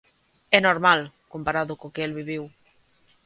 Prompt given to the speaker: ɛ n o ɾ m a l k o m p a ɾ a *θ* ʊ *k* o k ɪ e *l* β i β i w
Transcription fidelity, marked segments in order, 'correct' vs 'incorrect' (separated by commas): incorrect, correct, correct